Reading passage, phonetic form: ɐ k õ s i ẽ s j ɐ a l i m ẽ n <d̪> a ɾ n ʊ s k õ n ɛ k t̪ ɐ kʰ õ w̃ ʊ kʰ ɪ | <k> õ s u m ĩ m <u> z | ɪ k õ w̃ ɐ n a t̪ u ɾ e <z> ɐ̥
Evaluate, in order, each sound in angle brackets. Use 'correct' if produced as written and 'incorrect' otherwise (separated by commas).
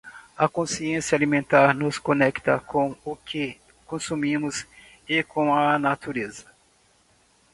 incorrect, correct, incorrect, correct